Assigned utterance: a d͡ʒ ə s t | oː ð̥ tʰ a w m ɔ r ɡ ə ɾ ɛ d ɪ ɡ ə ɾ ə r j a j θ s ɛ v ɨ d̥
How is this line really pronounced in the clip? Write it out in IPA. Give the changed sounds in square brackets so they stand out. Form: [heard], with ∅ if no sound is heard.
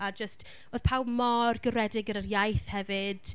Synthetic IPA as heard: a d͡ʒ ə s t | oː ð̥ [pʰ] a w m ɔ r ɡ ə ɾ ɛ d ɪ ɡ ə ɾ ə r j a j θ [h] ɛ v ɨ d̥

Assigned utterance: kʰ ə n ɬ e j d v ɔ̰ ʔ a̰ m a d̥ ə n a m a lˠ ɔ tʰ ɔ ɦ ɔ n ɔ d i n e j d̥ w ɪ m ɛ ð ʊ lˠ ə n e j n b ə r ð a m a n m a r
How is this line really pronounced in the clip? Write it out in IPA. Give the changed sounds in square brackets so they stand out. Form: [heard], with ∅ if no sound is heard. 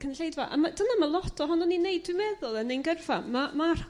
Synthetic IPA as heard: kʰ ə n ɬ e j d v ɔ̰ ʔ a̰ m a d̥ ə n a m a lˠ ɔ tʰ ɔ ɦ ɔ n ɔ [n] i n e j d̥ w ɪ m ɛ ð ʊ lˠ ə n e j n [ɡ] ə r [v] a m a [∅] m a r

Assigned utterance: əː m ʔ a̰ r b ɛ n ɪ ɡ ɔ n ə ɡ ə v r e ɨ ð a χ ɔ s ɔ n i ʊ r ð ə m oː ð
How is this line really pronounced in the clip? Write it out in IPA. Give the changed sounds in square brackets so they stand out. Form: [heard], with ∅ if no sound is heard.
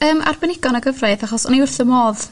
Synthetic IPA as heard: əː m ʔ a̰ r b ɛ n ɪ ɡ ɔ n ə ɡ ə v r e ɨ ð a χ ɔ s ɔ n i ʊ r [θ] ə m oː ð

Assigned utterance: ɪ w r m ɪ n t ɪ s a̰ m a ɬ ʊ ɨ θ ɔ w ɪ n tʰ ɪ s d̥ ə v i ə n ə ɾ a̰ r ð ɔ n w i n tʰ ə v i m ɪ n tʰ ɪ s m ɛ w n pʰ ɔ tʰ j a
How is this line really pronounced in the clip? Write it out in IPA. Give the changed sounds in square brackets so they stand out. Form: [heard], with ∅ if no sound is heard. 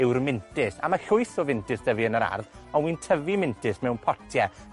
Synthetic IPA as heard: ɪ w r m ɪ n t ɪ s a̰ m a ɬ ʊ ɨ θ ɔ [v] ɪ n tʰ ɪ s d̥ ə v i ə n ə ɾ a̰ r ð ɔ n w i n tʰ ə v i m ɪ n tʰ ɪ s m ɛ w n pʰ ɔ tʰ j [ɛ]

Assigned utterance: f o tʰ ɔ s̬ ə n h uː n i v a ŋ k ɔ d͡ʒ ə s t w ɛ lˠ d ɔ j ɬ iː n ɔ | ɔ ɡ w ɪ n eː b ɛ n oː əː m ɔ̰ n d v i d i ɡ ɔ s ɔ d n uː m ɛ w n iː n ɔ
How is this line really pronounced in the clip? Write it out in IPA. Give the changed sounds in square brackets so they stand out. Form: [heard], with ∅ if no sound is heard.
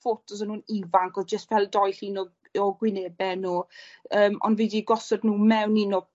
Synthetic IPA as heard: f o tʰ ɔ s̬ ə n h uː n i v a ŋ k ɔ d͡ʒ ə s t [v] ɛ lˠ d ɔ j ɬ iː n ɔ | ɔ ɡ w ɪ n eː b ɛ n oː əː m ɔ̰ n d v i d i ɡ ɔ s ɔ d n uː m ɛ w n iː n ɔ

